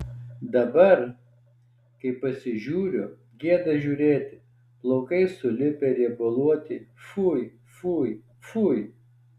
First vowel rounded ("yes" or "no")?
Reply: no